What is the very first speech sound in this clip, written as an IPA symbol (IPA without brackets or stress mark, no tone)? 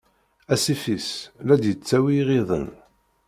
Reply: æ